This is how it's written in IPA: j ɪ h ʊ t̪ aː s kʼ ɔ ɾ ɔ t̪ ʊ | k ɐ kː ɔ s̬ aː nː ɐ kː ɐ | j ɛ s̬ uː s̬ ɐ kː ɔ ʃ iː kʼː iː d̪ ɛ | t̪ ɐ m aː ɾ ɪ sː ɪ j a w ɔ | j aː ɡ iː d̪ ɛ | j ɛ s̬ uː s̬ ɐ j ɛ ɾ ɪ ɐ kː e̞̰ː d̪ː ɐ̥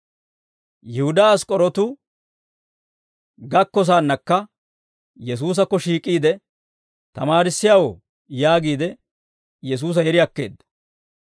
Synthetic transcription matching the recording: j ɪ h ʊ d̪ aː s kʼ ɔ ɾ ɔ t̪ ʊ | ɡ ɐ kː ɔ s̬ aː nː ɐ kː ɐ | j ɛ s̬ uː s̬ ɐ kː ɔ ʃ iː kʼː iː d̪ ɛ | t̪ ɐ m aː ɾ ɪ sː ɪ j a w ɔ | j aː ɡ iː d̪ ɛ | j ɛ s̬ uː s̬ ɐ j ɛ ɾ ɪ ɐ kː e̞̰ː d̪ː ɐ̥